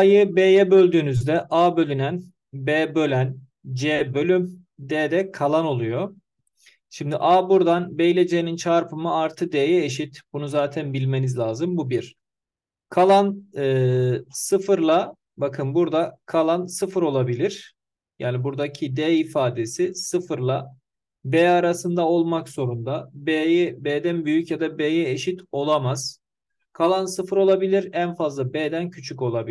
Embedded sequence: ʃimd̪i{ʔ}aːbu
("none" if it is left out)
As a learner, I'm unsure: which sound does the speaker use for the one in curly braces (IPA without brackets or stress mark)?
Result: ʔ